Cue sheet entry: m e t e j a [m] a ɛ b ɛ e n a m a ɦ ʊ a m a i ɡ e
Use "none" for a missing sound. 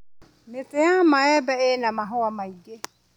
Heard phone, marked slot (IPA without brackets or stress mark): m